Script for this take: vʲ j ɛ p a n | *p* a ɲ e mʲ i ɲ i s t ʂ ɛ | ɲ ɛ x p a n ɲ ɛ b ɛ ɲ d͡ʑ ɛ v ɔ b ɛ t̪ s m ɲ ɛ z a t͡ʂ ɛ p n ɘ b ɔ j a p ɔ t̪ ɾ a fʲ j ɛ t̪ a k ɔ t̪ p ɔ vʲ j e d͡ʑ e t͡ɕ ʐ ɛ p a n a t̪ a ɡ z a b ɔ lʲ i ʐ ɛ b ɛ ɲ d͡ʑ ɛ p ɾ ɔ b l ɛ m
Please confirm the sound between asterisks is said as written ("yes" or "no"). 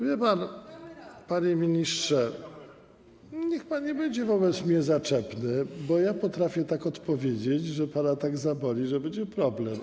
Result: yes